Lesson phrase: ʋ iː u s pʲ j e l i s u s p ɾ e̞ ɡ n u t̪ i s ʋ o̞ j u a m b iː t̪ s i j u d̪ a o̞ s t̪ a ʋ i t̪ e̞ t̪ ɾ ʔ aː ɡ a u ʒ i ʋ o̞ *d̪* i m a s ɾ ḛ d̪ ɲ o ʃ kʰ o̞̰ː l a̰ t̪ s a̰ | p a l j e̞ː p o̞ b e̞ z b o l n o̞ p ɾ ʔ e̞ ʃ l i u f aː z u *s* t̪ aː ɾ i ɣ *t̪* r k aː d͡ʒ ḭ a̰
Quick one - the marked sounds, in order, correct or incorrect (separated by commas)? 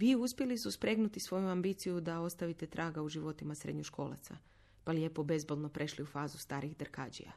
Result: incorrect, correct, incorrect